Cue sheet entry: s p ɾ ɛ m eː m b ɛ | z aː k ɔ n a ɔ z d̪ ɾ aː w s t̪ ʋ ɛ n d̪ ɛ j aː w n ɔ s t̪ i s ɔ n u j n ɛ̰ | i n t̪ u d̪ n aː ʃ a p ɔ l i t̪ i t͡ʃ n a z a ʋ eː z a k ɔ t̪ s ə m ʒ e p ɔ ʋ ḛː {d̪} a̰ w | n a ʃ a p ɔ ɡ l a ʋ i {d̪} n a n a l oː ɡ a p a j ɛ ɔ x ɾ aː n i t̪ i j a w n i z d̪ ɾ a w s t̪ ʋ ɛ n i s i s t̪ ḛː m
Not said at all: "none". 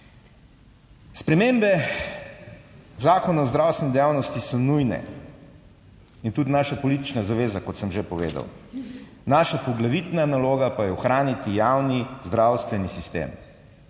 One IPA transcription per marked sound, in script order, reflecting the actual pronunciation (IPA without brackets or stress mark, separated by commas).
d̪, t̪